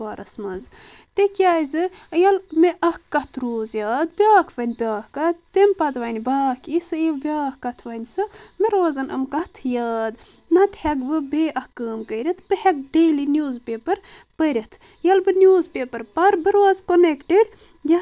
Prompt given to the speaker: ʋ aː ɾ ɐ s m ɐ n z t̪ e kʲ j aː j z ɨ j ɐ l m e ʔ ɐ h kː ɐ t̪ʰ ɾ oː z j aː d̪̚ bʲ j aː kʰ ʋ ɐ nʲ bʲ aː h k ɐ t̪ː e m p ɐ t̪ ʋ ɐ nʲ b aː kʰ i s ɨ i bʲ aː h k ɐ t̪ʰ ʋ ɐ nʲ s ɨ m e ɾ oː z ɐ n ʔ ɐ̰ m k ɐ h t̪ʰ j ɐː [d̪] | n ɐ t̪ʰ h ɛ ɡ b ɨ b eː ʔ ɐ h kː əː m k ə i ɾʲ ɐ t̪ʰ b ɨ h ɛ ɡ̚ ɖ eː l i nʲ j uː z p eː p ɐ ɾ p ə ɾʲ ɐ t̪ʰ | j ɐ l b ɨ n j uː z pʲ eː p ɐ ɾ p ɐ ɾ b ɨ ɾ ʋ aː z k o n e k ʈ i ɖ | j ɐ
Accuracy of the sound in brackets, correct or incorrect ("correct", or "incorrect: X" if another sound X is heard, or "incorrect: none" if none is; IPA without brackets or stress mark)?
correct